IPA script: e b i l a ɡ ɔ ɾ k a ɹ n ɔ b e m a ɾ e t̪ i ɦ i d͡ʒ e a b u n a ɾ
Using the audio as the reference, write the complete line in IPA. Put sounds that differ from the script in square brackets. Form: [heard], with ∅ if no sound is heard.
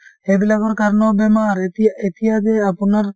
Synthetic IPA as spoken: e b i l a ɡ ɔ ɾ k a [ɾ] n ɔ b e m a ɾ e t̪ i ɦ [a] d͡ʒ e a [p] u n a ɾ